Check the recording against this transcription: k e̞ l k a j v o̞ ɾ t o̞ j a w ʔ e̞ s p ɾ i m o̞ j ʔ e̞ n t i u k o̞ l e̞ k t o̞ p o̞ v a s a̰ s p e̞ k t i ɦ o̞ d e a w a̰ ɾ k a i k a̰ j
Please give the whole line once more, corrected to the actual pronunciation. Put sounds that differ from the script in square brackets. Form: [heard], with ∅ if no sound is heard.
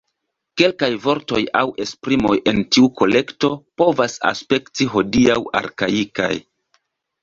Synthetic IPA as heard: k e̞ l k a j v o̞ ɾ t o̞ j a w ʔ e̞ s p ɾ i m o̞ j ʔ e̞ n t i u k o̞ l e̞ k t o̞ p o̞ v a s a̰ s p e̞ k t i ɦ o̞ d [i] a w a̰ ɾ k a i k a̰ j